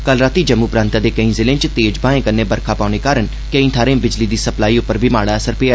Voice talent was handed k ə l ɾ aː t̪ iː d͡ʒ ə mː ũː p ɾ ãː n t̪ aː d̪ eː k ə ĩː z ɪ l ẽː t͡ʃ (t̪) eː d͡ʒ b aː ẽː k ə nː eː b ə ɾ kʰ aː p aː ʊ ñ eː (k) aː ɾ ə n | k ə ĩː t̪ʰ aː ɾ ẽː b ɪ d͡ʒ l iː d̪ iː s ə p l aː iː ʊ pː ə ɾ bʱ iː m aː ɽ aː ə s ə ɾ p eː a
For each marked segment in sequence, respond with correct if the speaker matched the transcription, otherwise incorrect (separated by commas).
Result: correct, correct